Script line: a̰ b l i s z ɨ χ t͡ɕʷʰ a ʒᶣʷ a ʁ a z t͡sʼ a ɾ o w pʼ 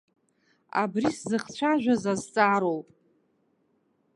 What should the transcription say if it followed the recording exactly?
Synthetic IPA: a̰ b r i s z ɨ χ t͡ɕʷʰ a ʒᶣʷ a z a z t͡sʼ a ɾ o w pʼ